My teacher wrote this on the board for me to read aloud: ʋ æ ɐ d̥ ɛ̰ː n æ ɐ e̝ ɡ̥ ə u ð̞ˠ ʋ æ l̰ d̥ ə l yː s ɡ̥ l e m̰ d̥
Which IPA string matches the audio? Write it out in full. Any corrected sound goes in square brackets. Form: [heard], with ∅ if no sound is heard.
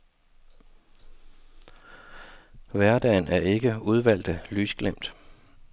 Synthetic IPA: ʋ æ ɐ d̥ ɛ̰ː n æ ɐ e̝ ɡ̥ ə u ð̞ˠ ʋ æ l̰ d̥ ə l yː s ɡ̥ l e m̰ d̥